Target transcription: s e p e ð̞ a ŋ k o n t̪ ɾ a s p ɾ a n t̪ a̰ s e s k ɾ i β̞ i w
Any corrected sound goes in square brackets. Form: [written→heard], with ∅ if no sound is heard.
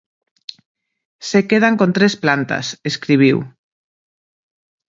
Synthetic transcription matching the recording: s e [p→k] e ð̞ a ŋ k o n t̪ ɾ [a→e] s p [ɾ→l] a n t̪ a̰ s e s k ɾ i β̞ i w